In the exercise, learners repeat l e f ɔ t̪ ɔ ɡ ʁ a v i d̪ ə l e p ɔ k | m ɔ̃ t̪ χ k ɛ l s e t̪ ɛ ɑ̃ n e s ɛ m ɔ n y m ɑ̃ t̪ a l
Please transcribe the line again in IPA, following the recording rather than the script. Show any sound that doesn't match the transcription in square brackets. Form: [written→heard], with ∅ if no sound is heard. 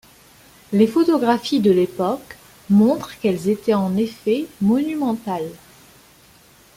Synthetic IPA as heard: l e f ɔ t̪ ɔ ɡ ʁ a [v→f] i d̪ ə l e p ɔ k | m ɔ̃ t̪ χ k ɛ l [s→z] e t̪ ɛ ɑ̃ n e [s→f] ɛ m ɔ n y m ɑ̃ t̪ a l